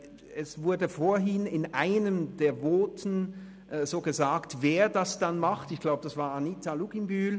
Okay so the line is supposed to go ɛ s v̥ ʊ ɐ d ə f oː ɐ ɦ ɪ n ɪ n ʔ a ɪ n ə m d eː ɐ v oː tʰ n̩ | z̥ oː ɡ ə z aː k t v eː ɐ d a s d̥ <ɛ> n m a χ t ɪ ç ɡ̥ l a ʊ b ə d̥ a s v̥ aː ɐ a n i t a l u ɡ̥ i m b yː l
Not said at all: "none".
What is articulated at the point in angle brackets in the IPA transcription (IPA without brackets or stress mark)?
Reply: a